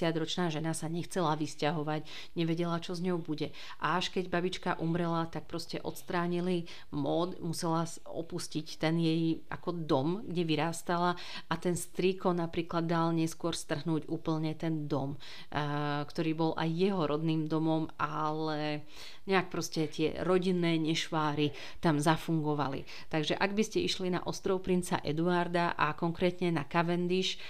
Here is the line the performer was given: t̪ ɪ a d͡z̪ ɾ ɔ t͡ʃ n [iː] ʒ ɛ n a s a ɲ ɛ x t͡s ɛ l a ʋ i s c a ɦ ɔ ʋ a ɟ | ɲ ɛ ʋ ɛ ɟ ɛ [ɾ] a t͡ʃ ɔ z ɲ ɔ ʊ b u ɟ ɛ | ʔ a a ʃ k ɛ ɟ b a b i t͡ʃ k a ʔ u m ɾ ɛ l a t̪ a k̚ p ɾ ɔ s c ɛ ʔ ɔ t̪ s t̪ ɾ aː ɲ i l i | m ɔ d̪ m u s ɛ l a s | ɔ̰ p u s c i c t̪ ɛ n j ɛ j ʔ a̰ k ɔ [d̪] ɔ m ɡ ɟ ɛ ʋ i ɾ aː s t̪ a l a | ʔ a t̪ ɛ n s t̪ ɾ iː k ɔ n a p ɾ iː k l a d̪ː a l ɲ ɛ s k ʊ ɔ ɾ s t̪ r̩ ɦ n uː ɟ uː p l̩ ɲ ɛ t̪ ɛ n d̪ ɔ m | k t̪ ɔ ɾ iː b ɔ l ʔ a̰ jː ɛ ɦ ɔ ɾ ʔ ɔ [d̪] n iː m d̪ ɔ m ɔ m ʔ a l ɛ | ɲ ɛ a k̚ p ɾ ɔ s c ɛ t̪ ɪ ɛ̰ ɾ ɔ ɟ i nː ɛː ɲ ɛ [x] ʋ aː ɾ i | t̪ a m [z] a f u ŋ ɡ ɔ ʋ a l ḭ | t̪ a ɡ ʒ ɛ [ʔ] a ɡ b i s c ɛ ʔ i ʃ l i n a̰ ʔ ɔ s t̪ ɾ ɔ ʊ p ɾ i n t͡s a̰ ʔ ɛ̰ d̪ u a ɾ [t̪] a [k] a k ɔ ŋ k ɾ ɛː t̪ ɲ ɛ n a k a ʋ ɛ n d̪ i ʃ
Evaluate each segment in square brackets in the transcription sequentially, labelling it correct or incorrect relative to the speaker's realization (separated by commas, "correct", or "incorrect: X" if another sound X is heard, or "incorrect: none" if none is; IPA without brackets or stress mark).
incorrect: aː, incorrect: l, correct, correct, incorrect: ʃ, correct, correct, incorrect: d̪, incorrect: ʔ